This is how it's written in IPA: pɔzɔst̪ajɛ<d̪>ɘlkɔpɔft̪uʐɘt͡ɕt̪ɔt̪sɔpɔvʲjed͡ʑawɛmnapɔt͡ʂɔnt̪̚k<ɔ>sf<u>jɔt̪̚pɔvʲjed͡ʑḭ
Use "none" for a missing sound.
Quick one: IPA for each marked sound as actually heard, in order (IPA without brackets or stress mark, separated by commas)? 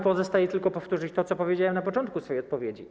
t̪, u, ɔ